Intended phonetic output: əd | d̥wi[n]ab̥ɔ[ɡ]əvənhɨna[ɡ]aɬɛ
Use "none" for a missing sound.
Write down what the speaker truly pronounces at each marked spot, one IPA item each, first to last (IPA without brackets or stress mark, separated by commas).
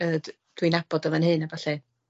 n, d, b